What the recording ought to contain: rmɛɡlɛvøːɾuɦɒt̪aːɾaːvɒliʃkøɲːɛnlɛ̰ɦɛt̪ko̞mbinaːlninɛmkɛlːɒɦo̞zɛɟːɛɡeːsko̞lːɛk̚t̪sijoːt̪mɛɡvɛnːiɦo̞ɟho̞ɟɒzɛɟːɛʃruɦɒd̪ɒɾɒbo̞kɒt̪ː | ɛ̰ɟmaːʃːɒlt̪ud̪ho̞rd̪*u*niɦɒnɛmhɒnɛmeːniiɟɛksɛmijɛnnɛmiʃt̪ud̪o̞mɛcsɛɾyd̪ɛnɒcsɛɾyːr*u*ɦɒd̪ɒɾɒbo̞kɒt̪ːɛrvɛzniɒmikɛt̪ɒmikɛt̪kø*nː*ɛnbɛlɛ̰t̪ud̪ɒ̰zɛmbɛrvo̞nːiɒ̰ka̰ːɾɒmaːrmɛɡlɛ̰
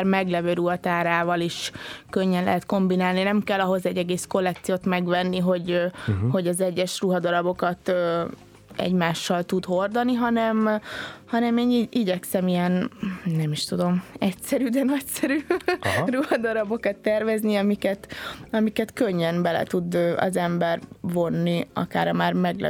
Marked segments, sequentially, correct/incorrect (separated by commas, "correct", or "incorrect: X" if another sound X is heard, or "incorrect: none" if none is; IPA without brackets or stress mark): incorrect: ɒ, correct, incorrect: ɲː